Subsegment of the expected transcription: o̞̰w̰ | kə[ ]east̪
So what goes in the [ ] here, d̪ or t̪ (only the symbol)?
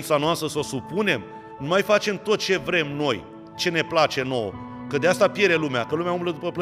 d̪